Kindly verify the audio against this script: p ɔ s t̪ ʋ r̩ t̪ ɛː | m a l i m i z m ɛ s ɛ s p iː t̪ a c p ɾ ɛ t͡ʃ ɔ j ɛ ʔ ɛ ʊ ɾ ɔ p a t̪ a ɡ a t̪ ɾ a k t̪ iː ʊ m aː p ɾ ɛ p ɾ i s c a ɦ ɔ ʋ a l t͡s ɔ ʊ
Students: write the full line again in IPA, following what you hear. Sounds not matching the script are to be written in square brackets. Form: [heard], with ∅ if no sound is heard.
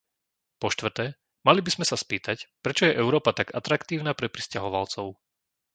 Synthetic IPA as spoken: p ɔ [ʃ] t̪ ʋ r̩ t̪ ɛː | m a l i [b] i z m ɛ s [a] s p iː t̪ a c p ɾ ɛ t͡ʃ ɔ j ɛ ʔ ɛ ʊ ɾ [ɔː] p a t̪ a ɡ a t̪ ɾ a k t̪ iː ʊ [n] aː p ɾ ɛ p ɾ i s c a ɦ ɔ ʋ a l t͡s ɔ ʊ

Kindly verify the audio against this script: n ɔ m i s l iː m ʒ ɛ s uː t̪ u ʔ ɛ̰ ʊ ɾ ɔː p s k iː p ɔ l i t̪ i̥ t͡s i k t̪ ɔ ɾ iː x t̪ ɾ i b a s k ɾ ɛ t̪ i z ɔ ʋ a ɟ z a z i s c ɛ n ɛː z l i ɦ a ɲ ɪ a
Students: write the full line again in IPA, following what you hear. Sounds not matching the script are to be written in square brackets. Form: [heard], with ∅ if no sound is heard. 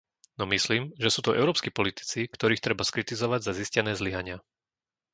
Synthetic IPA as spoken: n ɔ m i s l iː m ʒ ɛ s uː t̪ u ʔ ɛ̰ ʊ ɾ ɔː p s k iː p ɔ l i t̪ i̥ t͡s i k t̪ ɔ ɾ iː x t̪ ɾ [ɛ] b a s k ɾ [i] t̪ i z ɔ ʋ a ɟ z a z i s c ɛ n ɛː z l i ɦ a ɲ ɪ a

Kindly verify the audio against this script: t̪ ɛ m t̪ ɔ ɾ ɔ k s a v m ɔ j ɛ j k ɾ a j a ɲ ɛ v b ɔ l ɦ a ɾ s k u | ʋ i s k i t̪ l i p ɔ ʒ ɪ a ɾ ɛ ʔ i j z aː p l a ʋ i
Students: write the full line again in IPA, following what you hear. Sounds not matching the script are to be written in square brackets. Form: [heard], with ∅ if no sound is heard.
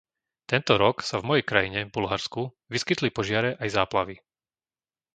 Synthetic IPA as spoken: t̪ ɛ [n] t̪ ɔ ɾ ɔ k s a v m ɔ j ɛ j k ɾ a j [i] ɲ ɛ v b [u] l ɦ a ɾ s k u | ʋ i s k i t̪ l i p ɔ ʒ ɪ a ɾ ɛ ʔ [a] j z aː p l a ʋ i

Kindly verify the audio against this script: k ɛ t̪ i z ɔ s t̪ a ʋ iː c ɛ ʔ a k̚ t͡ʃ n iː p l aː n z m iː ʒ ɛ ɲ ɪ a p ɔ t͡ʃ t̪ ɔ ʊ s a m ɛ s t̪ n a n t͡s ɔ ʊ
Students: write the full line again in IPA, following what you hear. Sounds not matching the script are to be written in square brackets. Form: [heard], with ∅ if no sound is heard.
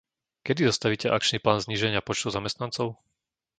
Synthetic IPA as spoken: k ɛ [d̪] i z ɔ s t̪ a ʋ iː c ɛ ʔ a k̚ t͡ʃ n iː p l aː n z [ɲ] iː ʒ ɛ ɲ ɪ a p ɔ t͡ʃ t̪ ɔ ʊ [z] a m ɛ s t̪ n a n t͡s ɔ ʊ

